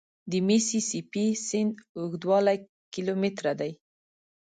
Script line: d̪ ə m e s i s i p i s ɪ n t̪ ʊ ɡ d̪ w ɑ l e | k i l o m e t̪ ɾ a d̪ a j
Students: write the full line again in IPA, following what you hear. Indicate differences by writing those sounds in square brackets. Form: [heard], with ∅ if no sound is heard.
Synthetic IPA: d̪ ə m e s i s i p i s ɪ n [d̪] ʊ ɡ d̪ w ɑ l [a] | k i l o m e t̪ ɾ a d̪ a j

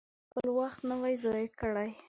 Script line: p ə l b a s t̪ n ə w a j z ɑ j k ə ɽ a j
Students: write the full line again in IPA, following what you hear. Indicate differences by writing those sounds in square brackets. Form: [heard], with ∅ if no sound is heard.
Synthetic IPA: p ə l [w] a [x] t̪ n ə w a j z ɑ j k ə ɽ a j

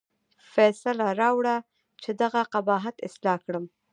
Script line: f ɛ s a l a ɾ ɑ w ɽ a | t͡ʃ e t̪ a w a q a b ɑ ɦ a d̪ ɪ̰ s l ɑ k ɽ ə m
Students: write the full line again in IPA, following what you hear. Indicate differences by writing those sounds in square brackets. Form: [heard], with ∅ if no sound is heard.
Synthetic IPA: f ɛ s a l a ɾ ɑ w ɽ a | t͡ʃ e [d̪] a [ɣ] a q a b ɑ ɦ a [t̪] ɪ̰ s l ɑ k ɽ ə m

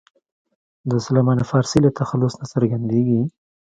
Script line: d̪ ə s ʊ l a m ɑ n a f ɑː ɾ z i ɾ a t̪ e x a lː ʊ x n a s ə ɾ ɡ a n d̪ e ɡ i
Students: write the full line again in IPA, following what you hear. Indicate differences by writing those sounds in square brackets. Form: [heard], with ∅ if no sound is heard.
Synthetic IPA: d̪ ə s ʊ l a m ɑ n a f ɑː ɾ [s] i [l] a t̪ [a] x a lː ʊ [s] n a s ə ɾ ɡ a n d̪ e ɡ i

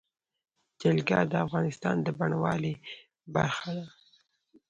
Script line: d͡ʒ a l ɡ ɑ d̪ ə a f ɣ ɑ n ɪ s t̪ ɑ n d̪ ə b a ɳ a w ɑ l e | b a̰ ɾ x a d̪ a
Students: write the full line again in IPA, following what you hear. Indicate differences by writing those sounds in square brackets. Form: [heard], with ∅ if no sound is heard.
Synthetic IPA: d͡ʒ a l ɡ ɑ d̪ ə a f ɣ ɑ n ɪ s t̪ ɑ n d̪ ə b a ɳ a w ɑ l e | b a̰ ɾ x a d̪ a

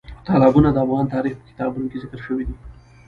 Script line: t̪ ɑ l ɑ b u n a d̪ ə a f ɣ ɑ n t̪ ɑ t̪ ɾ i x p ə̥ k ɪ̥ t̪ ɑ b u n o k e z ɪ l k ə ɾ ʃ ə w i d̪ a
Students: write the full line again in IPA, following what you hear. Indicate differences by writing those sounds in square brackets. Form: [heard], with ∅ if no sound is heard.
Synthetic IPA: t̪ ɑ l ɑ b u n a d̪ ə a f ɣ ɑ n t̪ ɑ [∅] ɾ i x p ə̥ k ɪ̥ t̪ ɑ b u n o k e z ɪ [∅] k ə ɾ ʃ ə w i d̪ [i]

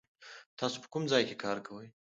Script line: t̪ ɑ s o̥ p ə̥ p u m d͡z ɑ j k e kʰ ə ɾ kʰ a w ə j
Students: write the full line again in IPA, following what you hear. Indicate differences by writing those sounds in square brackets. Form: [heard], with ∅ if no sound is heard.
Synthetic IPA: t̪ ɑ s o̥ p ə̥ [k] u m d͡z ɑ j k e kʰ [ɑ] ɾ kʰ a w ə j

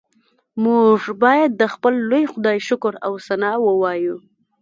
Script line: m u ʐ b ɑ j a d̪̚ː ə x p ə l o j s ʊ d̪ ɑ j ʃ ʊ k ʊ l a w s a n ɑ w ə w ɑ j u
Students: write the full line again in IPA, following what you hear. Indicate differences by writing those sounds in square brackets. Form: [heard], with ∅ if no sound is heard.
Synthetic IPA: m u ʐ b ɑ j a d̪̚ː ə x p ə [lː] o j [x] ʊ d̪ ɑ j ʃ ʊ k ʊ [ɾ] a w s a n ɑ w ə w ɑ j u

